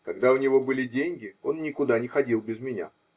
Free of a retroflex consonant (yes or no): yes